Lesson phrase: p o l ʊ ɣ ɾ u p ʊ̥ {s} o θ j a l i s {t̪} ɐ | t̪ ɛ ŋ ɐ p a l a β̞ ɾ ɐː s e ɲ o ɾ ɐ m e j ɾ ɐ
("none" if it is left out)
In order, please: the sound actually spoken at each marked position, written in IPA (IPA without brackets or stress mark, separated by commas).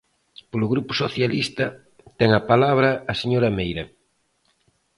s, t̪